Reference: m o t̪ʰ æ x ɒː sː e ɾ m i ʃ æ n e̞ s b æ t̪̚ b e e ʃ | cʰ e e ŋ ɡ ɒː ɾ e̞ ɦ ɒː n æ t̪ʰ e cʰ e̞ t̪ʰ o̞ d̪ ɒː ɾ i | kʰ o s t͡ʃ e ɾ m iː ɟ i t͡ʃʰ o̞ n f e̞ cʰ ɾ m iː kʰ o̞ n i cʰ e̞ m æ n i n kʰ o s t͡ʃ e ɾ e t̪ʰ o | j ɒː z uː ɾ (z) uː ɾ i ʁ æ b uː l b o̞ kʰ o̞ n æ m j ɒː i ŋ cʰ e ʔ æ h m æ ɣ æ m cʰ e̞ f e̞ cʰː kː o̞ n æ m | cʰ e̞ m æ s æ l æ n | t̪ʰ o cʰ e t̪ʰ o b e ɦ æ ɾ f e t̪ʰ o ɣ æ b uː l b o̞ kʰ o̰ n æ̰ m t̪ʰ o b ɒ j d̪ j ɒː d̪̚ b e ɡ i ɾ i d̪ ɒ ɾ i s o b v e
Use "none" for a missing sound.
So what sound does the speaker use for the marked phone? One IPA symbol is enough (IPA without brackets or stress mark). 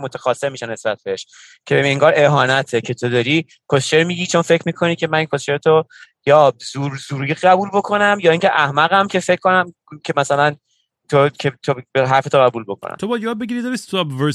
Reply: z